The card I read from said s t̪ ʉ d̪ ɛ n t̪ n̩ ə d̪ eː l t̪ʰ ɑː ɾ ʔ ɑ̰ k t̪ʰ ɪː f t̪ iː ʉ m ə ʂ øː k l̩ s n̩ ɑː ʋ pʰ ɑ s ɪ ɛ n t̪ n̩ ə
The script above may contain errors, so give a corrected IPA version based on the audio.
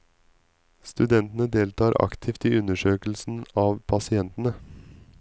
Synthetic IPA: s t̪ ʉ d̪ ɛ n t̪ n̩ ə d̪ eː l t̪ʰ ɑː ɾ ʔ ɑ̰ k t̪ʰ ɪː f t̪ iː ʉ n ə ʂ øː k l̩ s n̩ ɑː ʋ pʰ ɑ s ɪ ɛ n t̪ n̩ ə